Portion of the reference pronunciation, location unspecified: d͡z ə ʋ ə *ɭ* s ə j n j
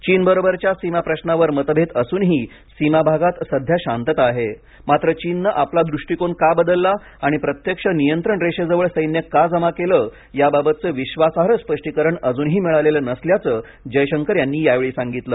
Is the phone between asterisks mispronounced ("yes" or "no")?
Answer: no